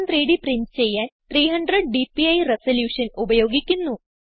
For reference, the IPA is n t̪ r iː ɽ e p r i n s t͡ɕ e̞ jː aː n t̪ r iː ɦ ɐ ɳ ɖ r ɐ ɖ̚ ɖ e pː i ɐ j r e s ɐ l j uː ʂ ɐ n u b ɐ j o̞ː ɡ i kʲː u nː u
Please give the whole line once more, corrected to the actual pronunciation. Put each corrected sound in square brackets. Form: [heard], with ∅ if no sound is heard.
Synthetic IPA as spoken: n t̪ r iː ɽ [i] p r i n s t͡ɕ e̞ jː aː n t̪ r iː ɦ ɐ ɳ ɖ r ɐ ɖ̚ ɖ [i] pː i ɐ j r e s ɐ l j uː ʂ ɐ n u b ɐ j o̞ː ɡ i kʲː u nː u